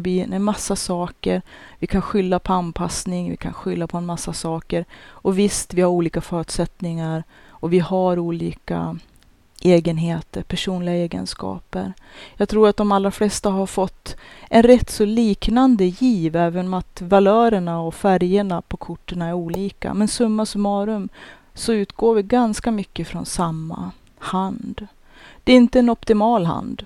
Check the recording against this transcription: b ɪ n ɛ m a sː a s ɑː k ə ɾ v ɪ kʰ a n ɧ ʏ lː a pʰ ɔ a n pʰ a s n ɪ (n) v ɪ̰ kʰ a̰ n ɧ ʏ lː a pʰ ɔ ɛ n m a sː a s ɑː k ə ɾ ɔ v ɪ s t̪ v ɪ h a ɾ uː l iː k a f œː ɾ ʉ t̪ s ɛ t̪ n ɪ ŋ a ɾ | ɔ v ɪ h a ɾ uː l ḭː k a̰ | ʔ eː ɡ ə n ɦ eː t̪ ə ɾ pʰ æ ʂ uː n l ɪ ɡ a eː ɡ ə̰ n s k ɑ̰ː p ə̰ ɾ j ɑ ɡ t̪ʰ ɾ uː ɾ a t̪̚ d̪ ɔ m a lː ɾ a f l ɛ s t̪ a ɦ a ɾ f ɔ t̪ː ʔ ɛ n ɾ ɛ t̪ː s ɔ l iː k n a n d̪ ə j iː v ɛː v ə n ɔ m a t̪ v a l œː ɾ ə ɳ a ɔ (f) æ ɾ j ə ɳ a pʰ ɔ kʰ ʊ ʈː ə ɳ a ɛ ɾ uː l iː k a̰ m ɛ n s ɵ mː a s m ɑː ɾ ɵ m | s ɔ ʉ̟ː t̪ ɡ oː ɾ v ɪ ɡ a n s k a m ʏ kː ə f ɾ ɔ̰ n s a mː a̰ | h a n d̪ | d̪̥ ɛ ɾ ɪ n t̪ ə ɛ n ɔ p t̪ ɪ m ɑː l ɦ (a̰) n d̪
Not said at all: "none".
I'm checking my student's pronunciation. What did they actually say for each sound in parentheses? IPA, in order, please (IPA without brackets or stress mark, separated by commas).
ŋ, f, a̰